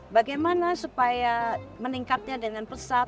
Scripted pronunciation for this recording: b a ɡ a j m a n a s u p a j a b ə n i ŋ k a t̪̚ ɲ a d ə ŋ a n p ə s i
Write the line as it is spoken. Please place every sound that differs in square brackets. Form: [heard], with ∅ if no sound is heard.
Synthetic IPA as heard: b a ɡ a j m a n a s u p a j a [m] ə n i ŋ k a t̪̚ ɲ a d ə ŋ a n p ə s [a]